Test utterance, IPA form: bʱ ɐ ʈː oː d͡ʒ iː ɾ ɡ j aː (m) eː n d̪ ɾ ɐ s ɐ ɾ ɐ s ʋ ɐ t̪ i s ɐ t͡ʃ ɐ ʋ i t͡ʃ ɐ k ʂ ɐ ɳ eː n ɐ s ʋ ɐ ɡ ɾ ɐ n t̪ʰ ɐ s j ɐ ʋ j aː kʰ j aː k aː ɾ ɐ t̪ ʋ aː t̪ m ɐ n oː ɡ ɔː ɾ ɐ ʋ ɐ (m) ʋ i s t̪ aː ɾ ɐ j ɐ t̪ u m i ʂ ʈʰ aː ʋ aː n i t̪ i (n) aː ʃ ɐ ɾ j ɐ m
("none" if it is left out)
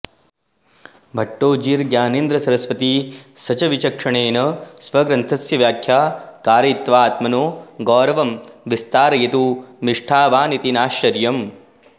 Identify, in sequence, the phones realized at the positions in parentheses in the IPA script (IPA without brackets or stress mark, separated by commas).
n, m, n